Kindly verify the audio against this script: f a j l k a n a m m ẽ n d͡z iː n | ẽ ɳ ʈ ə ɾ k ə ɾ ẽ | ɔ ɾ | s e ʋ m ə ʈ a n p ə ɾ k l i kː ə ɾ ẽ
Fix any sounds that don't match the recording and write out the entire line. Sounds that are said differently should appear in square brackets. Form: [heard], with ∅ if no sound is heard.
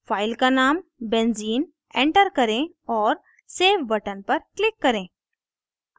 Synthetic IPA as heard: f a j l k a n a m [b] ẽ n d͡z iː n | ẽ ɳ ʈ ə ɾ k ə ɾ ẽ | ɔ ɾ | s e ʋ [b] ə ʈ [ə] n p ə ɾ k l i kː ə ɾ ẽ

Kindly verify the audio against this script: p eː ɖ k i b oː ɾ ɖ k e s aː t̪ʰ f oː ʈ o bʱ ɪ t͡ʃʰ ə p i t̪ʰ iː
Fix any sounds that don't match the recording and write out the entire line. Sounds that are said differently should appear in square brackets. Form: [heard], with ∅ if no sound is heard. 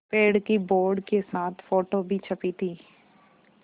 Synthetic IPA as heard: p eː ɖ k i b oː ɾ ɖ k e s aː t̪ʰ f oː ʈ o bʱ [i] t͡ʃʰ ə p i t̪ʰ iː

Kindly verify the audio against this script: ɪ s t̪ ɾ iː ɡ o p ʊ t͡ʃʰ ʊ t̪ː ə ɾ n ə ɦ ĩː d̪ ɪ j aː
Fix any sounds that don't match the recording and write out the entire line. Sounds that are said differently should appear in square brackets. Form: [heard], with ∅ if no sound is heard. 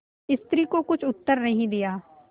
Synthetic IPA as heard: ɪ s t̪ ɾ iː [k] o [k] ʊ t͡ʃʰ ʊ t̪ː ə ɾ n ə ɦ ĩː d̪ ɪ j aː

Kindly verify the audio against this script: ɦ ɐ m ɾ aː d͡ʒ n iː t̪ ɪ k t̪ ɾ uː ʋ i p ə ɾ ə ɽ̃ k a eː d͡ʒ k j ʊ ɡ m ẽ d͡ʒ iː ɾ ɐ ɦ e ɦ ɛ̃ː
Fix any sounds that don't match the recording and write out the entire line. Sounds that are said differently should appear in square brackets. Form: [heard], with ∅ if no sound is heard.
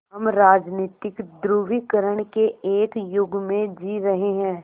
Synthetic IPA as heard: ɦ ɐ m ɾ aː d͡ʒ n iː t̪ ɪ k [d̪] ɾ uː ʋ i [k] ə ɾ ə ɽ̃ k [e] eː [∅] k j ʊ ɡ m ẽ d͡ʒ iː ɾ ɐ ɦ e ɦ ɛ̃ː

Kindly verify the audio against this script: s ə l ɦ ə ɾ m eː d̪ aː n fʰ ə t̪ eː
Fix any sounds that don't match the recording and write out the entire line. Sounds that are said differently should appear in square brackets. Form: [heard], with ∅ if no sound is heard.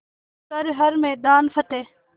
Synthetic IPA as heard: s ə [ɾ] ɦ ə ɾ m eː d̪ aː n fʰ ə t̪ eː

